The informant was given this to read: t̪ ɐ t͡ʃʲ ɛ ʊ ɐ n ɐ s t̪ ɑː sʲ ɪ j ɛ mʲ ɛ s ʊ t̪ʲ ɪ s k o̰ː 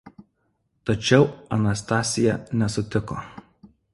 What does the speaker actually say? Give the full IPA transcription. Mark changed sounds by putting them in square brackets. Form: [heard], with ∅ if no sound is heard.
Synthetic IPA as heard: t̪ ɐ t͡ʃʲ ɛ ʊ ɐ n ɐ s t̪ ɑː sʲ ɪ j ɛ [nʲ] ɛ s ʊ t̪ʲ ɪ [∅] k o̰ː